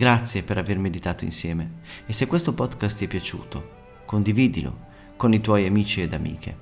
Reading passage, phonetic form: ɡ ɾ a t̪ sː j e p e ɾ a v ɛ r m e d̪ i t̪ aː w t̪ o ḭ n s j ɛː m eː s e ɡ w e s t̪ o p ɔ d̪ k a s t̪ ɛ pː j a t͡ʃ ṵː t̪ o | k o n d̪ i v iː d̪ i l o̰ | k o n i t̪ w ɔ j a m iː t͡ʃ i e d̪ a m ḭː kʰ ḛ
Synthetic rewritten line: ɡ ɾ a t̪ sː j e p e ɾ a v e r m e d̪ i t̪ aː t̪ o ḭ n s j ɛː m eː s e k w e s t̪ o p ɔ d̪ k a s t̪ ɛ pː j a t͡ʃ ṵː t̪ o | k o n d̪ i v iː d̪ i l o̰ | k o n i t̪ w ɔ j a m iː t͡ʃ i e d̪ a m ḭː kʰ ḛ